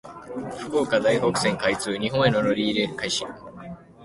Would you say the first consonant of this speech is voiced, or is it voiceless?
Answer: voiceless